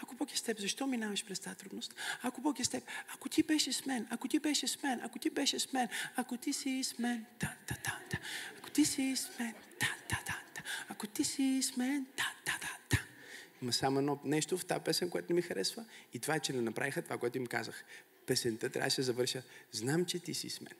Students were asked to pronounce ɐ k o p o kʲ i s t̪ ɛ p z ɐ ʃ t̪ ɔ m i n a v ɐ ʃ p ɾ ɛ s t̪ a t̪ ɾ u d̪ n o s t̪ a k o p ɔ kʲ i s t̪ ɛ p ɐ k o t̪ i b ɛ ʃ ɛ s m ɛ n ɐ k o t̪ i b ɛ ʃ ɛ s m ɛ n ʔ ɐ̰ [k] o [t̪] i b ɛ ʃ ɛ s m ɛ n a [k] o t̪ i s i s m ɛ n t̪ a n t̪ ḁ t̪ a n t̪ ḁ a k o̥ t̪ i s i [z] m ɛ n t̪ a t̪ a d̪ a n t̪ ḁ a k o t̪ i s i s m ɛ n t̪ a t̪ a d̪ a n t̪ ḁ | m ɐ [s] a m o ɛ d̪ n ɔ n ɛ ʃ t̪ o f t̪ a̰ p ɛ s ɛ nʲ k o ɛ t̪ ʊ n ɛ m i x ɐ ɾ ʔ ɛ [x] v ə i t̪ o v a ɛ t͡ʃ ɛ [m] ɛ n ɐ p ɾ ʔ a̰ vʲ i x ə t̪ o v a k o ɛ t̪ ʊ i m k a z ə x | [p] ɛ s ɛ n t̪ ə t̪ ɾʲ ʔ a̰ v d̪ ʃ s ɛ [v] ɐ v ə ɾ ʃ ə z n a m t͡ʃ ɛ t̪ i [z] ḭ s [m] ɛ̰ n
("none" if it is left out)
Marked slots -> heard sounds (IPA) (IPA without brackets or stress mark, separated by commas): k, t̪, k, s, s, s, n, p, z, s, m